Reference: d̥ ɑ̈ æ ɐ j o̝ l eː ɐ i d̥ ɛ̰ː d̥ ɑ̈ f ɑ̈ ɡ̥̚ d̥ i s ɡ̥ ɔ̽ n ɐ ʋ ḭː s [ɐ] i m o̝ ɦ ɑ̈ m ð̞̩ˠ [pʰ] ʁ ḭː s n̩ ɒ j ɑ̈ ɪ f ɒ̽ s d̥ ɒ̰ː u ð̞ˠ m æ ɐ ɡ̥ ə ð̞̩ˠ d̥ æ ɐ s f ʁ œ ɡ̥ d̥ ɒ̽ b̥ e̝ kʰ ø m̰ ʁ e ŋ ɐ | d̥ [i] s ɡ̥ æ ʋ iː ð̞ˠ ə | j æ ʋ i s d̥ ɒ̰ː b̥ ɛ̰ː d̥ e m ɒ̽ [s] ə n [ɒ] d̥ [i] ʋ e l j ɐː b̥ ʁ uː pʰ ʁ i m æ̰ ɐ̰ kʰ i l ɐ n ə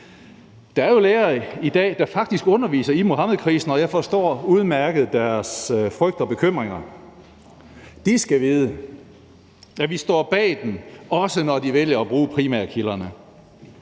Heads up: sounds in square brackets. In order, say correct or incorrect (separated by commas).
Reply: correct, incorrect, correct, correct, correct, correct